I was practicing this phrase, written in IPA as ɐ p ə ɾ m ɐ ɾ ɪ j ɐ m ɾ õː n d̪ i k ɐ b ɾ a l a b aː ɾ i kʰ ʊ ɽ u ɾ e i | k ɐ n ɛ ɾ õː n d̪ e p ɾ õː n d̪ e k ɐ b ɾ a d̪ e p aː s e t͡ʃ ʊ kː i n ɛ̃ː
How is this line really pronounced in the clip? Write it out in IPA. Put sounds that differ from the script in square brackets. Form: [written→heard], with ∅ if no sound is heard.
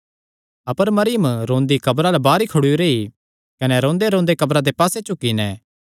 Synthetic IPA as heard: ɐ p ə ɾ m ɐ ɾ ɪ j [ɐ→ə] m ɾ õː n d̪ i k ɐ b ɾ a l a b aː ɾ i kʰ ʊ ɽ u ɾ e i | k ɐ n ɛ ɾ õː n d̪ e [p→∅] ɾ õː n d̪ e k ɐ b ɾ a d̪ e p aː s e t͡ʃ ʊ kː i n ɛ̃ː